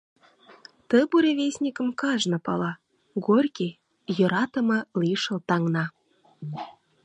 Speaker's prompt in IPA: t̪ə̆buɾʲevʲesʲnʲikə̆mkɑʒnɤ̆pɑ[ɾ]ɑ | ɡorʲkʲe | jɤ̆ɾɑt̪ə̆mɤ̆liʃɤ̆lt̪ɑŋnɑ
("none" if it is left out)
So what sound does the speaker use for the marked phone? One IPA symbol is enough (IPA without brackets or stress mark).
l